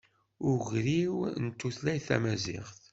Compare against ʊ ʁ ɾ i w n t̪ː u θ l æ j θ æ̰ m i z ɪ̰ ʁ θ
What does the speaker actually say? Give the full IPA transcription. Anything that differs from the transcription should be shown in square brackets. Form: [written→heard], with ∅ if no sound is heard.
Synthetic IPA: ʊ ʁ ɾ i w n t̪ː u θ l æ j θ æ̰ m [i→æ] z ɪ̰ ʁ θ